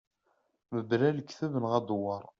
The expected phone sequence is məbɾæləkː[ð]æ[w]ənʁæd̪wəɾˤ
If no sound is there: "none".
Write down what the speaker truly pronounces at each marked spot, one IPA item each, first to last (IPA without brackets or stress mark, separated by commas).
θ, v